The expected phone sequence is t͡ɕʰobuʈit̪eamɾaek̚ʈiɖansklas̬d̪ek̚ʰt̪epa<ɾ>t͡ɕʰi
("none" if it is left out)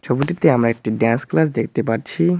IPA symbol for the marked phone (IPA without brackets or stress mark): ɾ